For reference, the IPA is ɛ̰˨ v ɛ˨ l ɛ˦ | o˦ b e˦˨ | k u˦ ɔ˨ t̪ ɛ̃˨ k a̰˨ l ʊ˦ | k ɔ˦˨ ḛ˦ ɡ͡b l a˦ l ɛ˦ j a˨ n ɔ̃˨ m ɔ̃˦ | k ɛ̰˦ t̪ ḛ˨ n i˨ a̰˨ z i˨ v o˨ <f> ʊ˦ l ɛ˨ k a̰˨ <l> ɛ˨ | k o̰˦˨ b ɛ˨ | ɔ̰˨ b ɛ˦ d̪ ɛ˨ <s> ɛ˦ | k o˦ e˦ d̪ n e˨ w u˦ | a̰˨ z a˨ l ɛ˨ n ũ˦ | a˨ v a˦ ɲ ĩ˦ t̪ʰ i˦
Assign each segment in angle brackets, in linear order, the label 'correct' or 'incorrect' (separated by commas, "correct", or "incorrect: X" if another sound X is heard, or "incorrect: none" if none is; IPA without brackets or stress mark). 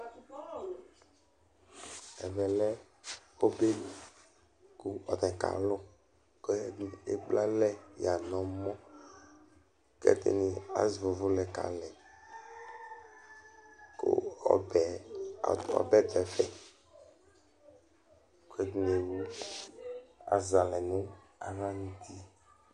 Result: incorrect: v, correct, incorrect: f